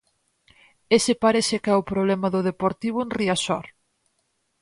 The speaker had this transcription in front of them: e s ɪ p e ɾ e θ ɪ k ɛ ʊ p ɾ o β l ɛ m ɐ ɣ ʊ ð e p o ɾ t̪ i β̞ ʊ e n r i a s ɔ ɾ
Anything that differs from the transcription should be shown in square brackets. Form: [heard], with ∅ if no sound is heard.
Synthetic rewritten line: e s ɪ p [a] ɾ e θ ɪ k ɛ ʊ p ɾ o β l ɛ m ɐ [ð] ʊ ð e p o ɾ t̪ i β̞ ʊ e n r i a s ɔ ɾ